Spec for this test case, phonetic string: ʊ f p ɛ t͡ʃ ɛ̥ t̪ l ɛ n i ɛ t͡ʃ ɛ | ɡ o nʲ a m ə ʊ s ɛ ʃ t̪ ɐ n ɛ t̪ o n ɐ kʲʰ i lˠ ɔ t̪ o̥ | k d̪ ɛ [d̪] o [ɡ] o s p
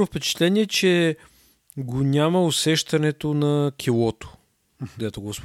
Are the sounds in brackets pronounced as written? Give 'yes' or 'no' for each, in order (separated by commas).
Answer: no, yes